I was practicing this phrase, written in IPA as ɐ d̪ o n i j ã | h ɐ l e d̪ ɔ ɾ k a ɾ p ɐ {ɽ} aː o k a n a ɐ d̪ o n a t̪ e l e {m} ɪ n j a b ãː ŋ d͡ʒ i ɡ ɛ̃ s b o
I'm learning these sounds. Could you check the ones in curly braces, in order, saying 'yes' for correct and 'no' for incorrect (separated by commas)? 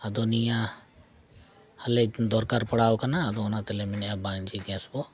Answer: yes, yes